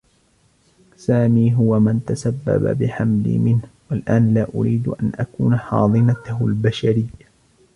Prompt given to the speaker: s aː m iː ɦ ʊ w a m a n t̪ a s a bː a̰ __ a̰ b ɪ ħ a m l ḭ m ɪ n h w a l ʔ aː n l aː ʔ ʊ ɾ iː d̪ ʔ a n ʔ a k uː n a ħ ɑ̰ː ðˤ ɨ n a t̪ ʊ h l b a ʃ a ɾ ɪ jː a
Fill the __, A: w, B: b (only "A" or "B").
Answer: B